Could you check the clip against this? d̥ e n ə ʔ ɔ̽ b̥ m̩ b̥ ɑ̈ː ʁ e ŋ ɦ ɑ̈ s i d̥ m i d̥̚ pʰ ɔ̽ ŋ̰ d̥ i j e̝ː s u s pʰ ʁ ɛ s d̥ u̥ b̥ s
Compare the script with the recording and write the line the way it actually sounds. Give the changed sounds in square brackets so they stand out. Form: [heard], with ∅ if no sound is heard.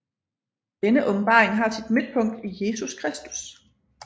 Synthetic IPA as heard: d̥ e n ə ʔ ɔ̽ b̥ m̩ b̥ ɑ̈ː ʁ e ŋ ɦ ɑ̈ s i d̥ m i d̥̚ pʰ ɔ̽ ŋ̰ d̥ i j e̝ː s u s [kʰ] ʁ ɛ s d̥ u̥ [∅] s